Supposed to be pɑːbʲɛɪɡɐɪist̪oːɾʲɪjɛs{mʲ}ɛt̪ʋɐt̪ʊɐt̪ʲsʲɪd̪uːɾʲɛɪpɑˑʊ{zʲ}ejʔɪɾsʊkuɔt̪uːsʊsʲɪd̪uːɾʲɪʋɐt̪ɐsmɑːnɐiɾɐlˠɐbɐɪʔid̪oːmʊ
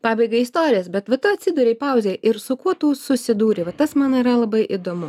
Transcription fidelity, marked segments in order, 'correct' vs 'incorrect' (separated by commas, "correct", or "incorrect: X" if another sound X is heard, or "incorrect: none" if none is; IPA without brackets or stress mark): incorrect: bʲ, correct